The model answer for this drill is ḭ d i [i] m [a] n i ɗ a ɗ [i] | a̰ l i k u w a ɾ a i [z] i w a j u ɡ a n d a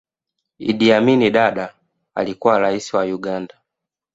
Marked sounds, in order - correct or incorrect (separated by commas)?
incorrect, incorrect, incorrect, incorrect